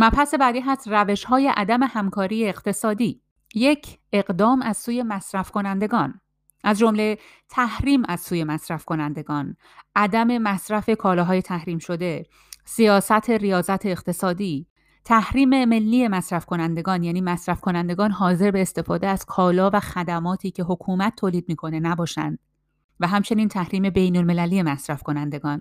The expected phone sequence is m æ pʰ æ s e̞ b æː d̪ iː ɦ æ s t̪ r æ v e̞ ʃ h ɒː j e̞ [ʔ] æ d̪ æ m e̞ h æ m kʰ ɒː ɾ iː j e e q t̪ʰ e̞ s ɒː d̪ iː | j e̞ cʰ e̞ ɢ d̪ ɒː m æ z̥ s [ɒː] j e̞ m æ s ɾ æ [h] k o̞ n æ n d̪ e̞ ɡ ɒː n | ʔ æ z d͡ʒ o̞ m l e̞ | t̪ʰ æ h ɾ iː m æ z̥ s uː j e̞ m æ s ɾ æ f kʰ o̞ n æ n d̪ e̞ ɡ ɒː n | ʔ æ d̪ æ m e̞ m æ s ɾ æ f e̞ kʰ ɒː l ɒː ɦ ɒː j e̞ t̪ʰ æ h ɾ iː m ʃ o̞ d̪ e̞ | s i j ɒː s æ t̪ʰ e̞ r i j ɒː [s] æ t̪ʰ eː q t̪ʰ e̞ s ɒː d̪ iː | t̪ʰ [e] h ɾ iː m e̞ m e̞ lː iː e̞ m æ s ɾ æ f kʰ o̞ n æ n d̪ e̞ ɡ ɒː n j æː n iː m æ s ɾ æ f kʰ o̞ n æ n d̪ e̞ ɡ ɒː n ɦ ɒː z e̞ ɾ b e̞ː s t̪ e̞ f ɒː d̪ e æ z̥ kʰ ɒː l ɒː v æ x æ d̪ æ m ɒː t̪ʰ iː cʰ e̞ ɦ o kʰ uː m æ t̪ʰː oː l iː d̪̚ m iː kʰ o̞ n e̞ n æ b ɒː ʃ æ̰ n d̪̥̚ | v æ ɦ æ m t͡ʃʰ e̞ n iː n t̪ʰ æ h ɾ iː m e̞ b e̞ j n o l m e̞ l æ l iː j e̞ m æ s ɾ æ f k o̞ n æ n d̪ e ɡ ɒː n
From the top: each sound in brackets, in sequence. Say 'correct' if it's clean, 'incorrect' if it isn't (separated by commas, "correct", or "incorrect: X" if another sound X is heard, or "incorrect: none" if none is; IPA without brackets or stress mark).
correct, incorrect: uː, incorrect: f, incorrect: z, incorrect: æ